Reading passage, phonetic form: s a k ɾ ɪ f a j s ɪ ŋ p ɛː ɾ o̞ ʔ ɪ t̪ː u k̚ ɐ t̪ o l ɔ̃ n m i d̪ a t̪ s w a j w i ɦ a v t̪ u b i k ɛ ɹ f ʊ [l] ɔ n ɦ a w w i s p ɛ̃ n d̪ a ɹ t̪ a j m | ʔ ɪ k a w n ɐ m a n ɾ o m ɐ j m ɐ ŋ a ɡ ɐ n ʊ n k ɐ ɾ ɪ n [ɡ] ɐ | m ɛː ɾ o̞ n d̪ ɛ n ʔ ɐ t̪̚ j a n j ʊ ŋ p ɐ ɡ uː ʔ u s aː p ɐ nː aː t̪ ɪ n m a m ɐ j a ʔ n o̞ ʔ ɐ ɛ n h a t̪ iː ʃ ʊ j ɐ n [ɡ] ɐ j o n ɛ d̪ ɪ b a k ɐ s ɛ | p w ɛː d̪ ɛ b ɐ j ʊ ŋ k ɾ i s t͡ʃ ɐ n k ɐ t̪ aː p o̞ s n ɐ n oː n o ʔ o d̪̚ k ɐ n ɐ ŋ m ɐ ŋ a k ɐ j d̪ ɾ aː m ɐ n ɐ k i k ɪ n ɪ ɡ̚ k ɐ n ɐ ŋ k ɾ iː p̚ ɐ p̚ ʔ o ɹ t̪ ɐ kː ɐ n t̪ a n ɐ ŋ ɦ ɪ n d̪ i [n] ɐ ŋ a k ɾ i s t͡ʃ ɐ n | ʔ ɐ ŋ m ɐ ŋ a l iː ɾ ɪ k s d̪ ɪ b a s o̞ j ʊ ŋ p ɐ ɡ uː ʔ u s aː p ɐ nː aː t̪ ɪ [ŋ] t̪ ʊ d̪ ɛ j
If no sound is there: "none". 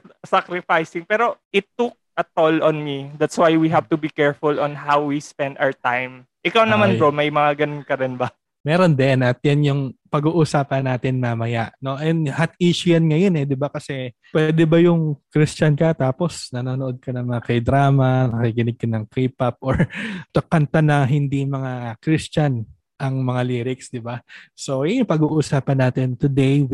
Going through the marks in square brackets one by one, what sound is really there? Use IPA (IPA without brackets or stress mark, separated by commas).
l, b, ŋ, m, n